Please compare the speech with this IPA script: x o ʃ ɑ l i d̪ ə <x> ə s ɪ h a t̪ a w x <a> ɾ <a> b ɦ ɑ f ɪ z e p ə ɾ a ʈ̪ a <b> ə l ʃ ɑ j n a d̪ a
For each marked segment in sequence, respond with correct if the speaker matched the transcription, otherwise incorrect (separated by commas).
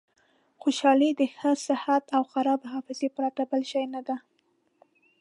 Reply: correct, correct, incorrect, correct